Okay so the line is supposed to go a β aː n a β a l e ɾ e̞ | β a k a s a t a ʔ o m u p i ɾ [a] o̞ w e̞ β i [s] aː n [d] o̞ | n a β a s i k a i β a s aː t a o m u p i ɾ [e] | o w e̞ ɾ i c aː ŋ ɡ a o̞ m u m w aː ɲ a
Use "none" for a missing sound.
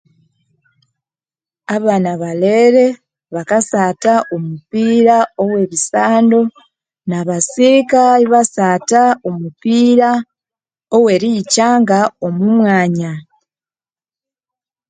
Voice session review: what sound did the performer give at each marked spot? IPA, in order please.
a, s, d, a

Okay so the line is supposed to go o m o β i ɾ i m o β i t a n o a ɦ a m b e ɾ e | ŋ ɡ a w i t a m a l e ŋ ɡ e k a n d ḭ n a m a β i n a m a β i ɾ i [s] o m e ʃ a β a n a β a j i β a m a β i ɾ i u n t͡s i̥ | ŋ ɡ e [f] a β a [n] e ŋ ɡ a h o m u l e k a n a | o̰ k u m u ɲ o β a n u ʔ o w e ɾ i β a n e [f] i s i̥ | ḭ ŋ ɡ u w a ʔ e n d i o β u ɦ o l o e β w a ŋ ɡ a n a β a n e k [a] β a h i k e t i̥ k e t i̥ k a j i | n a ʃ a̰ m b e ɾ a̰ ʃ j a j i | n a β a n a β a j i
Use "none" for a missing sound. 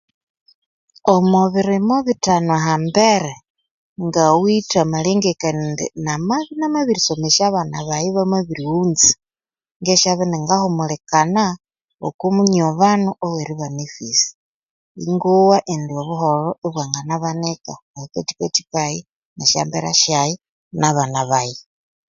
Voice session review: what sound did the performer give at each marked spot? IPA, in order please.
s, ʃ, n, f, a

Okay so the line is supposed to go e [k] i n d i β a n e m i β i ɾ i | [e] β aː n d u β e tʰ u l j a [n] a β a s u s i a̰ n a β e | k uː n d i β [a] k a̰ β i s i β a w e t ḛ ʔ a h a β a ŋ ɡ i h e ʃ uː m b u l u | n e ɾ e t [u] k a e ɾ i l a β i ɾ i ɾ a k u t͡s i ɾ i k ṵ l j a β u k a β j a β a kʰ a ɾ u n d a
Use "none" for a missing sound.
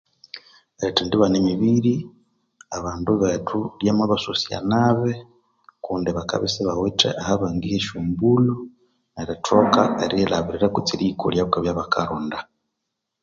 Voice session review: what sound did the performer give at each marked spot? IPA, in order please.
t, a, m, a, o

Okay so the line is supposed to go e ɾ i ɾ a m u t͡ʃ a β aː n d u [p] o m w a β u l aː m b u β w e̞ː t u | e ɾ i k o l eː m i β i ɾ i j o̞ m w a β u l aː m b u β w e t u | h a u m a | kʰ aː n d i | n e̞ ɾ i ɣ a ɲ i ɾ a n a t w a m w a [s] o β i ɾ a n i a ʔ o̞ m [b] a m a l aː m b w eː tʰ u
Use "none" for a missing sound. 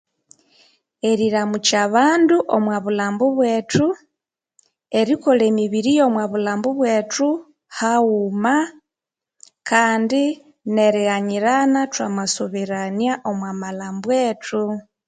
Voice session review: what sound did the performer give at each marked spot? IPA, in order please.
ʔ, s, w

